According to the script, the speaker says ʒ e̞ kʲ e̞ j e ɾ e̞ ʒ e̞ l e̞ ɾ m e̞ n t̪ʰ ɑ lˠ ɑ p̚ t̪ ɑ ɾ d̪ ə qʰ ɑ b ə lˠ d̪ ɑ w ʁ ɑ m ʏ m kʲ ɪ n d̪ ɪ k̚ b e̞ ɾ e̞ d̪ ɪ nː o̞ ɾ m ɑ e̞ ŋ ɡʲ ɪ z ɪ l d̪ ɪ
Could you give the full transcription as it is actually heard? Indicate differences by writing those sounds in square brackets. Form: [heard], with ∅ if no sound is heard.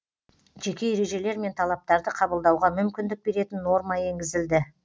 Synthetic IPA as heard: ʒ e̞ kʲ e̞ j e ɾ e̞ ʒ e̞ l e̞ ɾ m e̞ n t̪ʰ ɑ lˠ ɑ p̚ t̪ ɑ ɾ d̪ ə qʰ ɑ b ə lˠ d̪ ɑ w ʁ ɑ m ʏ m kʲ ɪ n d̪ ɪ k̚ b e̞ ɾ e̞ [t̪] ɪ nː o̞ ɾ m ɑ e̞ ŋ ɡʲ ɪ z ɪ l d̪ ɪ